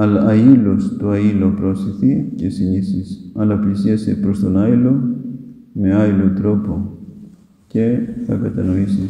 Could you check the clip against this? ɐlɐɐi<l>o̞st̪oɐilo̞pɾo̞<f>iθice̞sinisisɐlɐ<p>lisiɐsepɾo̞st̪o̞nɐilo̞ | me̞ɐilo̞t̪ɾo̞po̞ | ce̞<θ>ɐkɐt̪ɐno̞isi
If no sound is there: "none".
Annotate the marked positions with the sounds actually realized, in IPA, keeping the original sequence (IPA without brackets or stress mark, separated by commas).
l, s, p, θ